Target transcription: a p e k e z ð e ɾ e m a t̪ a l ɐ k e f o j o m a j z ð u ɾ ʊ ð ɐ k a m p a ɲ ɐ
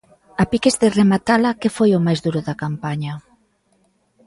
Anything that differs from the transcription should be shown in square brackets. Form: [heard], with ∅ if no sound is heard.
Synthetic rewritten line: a p [i] k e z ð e [r] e m a t̪ a l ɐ k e f o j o m a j z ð u ɾ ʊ ð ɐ k a m p a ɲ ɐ